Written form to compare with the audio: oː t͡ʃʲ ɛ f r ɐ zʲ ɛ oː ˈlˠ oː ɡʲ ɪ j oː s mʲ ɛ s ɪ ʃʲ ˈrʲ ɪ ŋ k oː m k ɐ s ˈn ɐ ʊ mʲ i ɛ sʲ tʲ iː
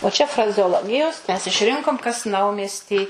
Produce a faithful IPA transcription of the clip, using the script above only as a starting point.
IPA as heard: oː t͡ʃʲ ɛ f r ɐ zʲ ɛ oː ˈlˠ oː ɡʲ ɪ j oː s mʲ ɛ s ɪ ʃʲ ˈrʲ ɪ ŋ k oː m k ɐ s ˈn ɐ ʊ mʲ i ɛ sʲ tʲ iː

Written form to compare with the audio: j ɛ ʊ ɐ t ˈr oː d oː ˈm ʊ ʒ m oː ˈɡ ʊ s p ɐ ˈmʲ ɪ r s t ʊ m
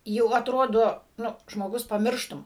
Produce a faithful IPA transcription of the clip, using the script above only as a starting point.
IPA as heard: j ɛ ʊ ɐ t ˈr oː d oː ˈn ʊ ʒ m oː ˈɡ ʊ s p ɐ ˈmʲ ɪ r ʃ t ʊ m

